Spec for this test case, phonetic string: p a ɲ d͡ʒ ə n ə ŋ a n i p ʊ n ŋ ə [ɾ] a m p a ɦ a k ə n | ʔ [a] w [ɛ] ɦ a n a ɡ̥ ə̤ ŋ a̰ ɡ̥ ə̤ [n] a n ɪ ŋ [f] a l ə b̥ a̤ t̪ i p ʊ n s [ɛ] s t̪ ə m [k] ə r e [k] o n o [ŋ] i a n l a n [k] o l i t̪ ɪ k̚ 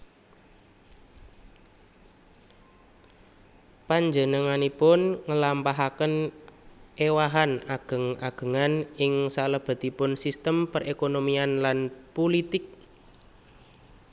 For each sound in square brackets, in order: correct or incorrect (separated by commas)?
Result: incorrect, incorrect, incorrect, incorrect, incorrect, incorrect, incorrect, correct, incorrect, incorrect